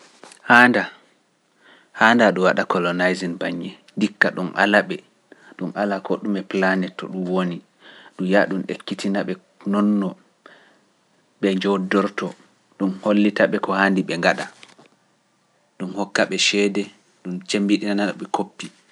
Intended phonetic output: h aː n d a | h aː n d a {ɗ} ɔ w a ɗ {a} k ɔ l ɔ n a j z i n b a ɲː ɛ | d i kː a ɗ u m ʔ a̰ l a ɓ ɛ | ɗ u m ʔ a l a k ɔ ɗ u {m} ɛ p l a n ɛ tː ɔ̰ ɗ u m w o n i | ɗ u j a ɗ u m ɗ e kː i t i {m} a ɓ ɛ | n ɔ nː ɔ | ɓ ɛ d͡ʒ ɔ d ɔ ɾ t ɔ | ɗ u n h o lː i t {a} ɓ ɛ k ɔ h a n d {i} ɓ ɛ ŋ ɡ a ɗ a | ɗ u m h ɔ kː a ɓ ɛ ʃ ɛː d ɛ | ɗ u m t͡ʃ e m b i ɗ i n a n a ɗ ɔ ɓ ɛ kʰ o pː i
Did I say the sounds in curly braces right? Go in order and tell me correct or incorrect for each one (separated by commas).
correct, correct, correct, incorrect, correct, correct